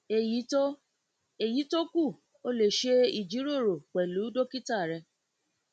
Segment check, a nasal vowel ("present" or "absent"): absent